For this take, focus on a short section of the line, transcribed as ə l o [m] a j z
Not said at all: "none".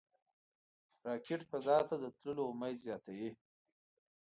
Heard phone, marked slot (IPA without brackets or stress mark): m